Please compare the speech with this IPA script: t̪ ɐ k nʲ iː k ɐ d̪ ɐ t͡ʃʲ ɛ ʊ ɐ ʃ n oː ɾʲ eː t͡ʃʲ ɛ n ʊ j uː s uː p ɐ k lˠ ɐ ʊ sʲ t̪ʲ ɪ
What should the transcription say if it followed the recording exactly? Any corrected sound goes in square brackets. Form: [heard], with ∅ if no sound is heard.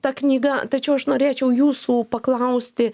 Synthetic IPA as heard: t̪ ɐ k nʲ iː [ɡ] ɐ [t̪] ɐ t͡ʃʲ ɛ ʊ ɐ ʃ n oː ɾʲ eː t͡ʃʲ ɛ [∅] ʊ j uː s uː p ɐ k lˠ ɐ ʊ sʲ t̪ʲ ɪ